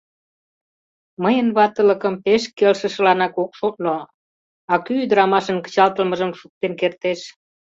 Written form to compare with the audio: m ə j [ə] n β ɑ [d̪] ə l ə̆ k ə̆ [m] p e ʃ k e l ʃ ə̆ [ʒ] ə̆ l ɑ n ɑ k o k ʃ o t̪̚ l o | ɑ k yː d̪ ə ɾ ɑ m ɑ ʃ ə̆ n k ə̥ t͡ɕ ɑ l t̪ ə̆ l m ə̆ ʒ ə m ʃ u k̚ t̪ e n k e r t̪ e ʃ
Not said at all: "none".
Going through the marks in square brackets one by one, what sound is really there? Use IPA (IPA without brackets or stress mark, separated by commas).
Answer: ə, t̪, m, ʃ